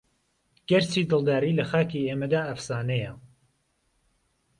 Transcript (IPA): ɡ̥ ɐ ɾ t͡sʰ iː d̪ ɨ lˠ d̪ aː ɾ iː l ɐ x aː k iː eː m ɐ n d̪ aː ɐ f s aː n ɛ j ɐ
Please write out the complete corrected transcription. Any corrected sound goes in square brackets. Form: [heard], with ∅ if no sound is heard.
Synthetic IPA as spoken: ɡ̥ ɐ ɾ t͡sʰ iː d̪ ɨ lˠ d̪ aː ɾ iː l ɐ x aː k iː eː m ɐ [∅] d̪ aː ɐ f s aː n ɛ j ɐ